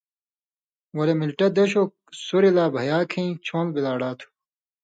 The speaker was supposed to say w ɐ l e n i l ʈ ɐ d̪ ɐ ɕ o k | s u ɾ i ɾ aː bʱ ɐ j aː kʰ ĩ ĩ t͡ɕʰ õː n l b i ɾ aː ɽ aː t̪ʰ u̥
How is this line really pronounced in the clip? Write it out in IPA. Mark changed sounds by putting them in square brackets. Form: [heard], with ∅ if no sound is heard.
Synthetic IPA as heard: w ɐ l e [m] i l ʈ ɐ d̪ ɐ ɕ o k | s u ɾ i [l] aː bʱ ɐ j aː kʰ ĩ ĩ t͡ɕʰ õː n l b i [l] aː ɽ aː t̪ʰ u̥